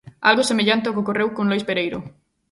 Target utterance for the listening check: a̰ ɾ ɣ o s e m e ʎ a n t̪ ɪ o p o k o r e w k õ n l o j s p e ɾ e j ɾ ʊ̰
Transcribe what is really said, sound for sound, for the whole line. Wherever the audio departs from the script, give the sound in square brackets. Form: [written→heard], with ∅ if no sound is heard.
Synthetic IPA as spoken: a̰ [ɾ→l] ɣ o s e m e ʎ a n t̪ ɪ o [p→k] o k o r e w k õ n l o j s p e ɾ e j ɾ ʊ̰